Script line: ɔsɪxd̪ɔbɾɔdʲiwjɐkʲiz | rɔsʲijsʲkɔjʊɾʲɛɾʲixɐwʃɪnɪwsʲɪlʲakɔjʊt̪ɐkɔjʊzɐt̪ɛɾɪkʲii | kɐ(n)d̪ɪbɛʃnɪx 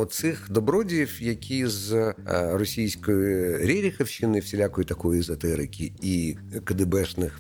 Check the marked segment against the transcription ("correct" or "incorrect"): incorrect